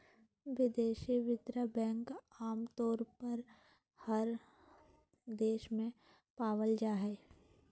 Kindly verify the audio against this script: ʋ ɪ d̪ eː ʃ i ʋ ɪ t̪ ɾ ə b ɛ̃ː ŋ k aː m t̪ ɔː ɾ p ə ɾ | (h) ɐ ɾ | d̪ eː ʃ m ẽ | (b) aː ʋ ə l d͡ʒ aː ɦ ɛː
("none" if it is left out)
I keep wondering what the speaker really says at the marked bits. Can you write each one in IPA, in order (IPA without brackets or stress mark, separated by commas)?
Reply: h, p